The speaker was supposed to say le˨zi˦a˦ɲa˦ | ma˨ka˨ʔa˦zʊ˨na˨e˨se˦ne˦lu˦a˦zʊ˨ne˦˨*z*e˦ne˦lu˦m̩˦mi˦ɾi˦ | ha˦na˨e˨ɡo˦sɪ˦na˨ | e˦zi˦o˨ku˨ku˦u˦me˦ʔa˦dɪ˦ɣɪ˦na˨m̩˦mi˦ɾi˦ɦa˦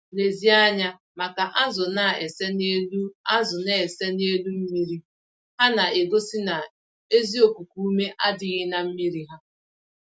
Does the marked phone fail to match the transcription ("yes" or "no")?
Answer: yes